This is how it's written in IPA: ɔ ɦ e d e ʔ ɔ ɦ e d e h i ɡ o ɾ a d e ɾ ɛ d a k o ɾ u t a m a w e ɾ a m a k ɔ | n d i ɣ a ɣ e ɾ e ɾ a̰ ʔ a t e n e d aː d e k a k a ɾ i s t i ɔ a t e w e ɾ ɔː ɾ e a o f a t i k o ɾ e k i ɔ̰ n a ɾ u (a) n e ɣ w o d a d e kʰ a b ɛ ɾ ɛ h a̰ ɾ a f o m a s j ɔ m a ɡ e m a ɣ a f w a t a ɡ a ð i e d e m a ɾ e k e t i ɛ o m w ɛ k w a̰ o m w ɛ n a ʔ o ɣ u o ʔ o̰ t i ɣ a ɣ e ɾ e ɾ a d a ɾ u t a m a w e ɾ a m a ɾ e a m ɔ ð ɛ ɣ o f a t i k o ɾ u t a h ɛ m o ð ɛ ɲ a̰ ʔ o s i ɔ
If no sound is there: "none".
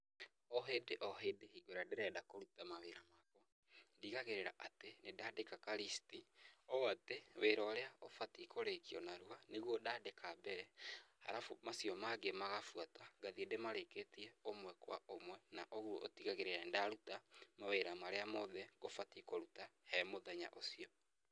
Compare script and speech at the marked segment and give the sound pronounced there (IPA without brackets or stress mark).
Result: a